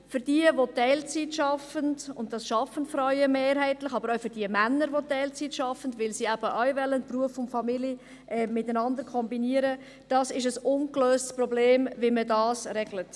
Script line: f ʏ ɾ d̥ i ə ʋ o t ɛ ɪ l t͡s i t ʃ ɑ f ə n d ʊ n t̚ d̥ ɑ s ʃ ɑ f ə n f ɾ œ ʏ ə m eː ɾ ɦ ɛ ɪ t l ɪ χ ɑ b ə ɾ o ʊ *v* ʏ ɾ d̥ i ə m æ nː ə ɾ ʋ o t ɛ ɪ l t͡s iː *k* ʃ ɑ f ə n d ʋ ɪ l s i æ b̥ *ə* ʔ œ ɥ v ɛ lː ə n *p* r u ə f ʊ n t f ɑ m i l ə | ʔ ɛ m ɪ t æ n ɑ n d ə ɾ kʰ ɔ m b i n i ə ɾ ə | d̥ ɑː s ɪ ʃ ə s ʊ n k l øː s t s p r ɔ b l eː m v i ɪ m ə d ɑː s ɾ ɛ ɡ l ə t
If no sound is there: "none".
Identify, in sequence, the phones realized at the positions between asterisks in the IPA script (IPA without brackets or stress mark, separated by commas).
f, t, ə, p